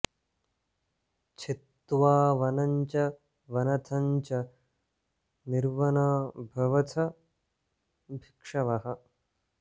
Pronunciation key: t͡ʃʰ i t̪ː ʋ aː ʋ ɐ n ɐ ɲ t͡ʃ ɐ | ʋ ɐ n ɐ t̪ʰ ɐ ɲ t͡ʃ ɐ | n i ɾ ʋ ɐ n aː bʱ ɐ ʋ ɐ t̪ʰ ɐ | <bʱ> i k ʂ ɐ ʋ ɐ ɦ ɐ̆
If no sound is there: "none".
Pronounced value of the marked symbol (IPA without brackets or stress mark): bʱ